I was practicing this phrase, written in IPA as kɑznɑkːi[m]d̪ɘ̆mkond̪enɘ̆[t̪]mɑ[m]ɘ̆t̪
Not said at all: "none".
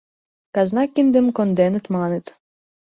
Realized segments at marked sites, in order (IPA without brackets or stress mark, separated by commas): n, t̪, n